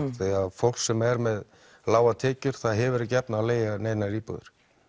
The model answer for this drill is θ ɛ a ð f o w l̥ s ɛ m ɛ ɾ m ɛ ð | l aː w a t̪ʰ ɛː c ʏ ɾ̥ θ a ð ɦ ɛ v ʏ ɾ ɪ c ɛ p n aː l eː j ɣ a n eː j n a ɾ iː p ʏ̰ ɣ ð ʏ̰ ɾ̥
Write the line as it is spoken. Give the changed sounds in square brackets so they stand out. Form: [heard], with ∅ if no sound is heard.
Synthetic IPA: θ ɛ a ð f o w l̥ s ɛ m ɛ ɾ m ɛ ð | l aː w a t̪ʰ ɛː c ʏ ɾ̥ θ a ð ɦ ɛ v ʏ ɾ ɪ c ɛ p n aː l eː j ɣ a n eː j n a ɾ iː p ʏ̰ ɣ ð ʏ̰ ɾ̥

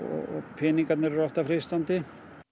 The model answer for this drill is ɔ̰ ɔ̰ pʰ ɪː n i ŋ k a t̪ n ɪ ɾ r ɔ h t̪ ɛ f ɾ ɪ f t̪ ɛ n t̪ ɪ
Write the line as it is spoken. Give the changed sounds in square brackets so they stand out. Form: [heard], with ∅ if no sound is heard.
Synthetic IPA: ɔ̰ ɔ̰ pʰ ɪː n i ŋ k a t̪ n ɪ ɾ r ɔ h t̪ [a] f ɾ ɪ [s] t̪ [a] n t̪ ɪ

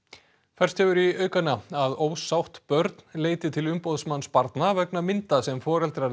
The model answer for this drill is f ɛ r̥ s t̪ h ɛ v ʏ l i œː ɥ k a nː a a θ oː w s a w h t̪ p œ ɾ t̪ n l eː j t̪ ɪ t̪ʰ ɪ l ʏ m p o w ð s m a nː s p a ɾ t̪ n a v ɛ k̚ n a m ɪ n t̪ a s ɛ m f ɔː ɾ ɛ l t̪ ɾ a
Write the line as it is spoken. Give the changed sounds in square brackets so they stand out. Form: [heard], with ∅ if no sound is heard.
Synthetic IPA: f ɛ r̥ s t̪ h ɛ v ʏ [ɾ] i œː ɥ k a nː a a [ð] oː w s a w h t̪ p œ ɾ t̪ n l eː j t̪ ɪ t̪ʰ ɪ l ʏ m p o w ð s m a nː s p a ɾ t̪ n a v ɛ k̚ n a m ɪ n t̪ a s ɛ m f ɔː ɾ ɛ l t̪ ɾ a

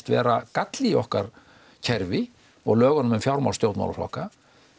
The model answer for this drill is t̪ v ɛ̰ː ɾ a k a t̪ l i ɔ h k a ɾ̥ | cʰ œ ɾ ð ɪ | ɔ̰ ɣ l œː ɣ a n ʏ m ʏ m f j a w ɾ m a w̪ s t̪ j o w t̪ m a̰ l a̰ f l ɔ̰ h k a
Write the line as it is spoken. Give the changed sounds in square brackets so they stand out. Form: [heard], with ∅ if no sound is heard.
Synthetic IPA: t̪ v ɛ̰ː ɾ a k a t̪ l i ɔ h k a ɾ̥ | cʰ [ɛ] ɾ [v] ɪ | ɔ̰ ɣ l œː ɣ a n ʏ m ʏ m f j a w ɾ m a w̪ s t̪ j o w t̪ m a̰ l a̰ f l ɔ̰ h k a

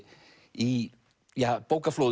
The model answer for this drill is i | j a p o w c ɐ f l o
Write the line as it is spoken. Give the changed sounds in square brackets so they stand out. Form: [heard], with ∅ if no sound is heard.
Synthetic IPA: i | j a p o w [k] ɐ f l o

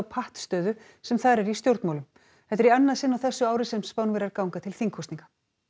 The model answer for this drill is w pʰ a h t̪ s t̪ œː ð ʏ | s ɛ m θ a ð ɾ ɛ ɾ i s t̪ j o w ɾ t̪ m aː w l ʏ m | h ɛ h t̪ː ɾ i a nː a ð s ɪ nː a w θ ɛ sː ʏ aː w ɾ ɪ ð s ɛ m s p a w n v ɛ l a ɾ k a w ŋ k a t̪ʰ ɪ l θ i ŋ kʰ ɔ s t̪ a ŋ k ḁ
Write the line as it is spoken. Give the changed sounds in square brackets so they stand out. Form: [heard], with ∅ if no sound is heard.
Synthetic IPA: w pʰ a h t̪ s t̪ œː ð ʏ | s ɛ m θ a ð ɾ ɛ ɾ i s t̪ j o w ɾ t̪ m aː w l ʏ m | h ɛ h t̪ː ɾ i a nː a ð s ɪ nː a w θ ɛ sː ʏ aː w ɾ ɪ [∅] s ɛ m s p a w n v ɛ [ɾ] a ɾ k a w ŋ k a t̪ʰ ɪ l θ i ŋ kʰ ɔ s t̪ [i] ŋ k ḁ

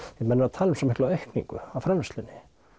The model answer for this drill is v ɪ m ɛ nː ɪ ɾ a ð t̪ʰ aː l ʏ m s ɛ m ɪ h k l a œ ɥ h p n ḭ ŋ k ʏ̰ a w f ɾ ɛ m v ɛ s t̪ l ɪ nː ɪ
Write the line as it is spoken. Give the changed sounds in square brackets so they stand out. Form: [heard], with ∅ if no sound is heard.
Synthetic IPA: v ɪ m ɛ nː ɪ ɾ a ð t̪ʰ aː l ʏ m s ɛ m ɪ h k l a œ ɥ h [k] n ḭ ŋ k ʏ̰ a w f ɾ ɛ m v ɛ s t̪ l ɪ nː ɪ

